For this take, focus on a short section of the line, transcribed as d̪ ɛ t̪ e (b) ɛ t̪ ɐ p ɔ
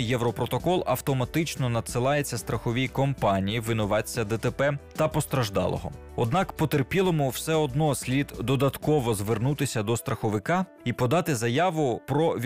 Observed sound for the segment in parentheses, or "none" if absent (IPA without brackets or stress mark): p